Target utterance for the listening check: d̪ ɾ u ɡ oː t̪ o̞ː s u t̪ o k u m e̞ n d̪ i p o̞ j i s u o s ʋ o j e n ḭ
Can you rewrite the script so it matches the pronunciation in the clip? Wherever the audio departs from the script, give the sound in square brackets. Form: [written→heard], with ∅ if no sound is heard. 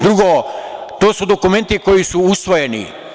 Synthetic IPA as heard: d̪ ɾ u ɡ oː t̪ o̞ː s u [t̪→d̪] o k u m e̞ n [d̪→t̪] i [p→k] o̞ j i s u [o→u] s ʋ o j e n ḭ